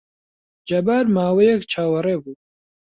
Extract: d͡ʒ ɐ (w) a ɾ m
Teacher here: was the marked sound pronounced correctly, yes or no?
no